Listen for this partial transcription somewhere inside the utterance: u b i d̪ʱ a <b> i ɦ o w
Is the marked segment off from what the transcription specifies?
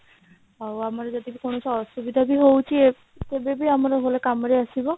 no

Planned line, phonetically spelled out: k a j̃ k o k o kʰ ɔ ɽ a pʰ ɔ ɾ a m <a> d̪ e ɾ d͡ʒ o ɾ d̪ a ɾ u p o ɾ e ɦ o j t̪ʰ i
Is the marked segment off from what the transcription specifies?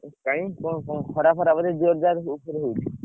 no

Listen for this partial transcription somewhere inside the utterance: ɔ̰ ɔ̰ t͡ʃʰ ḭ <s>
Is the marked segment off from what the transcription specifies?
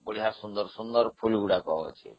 yes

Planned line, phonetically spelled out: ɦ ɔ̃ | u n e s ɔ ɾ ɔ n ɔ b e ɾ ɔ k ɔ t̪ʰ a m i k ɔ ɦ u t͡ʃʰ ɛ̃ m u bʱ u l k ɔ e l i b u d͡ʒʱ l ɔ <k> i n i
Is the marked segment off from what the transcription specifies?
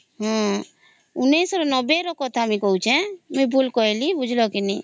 no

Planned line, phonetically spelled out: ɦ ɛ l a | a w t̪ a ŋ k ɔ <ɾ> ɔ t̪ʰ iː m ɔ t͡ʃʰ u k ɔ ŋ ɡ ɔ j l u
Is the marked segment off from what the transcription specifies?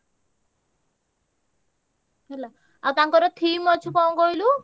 no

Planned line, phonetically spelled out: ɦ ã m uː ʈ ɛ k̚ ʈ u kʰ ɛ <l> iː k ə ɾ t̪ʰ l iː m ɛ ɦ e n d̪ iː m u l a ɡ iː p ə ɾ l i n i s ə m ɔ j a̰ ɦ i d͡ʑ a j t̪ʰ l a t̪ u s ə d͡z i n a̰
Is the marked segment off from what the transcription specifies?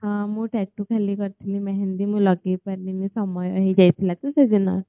no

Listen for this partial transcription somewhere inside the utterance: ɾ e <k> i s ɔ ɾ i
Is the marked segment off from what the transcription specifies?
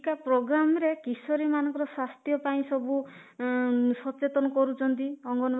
no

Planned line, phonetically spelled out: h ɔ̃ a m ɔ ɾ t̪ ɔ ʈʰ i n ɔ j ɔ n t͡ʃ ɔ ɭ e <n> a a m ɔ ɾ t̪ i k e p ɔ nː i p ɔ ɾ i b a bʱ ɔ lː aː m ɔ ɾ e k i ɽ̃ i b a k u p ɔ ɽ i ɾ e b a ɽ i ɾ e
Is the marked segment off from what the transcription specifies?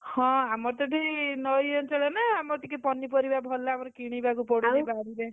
no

